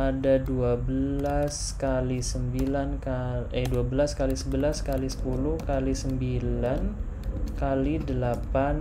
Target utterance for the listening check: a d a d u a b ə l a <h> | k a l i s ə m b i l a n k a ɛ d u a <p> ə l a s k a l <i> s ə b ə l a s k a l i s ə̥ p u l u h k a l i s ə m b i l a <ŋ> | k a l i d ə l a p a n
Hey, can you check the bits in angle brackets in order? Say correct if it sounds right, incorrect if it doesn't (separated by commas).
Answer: incorrect, incorrect, correct, incorrect